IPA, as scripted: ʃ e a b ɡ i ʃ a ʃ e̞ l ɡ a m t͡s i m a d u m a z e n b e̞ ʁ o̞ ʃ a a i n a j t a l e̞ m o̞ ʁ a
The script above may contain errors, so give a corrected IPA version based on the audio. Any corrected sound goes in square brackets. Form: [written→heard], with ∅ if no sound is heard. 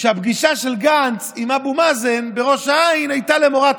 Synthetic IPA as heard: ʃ e a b ɡ i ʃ a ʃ e̞ l ɡ a [m→n] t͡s i m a [d→b] u m a z e n b e̞ ʁ o̞ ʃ a a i n a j t a l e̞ m o̞ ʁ a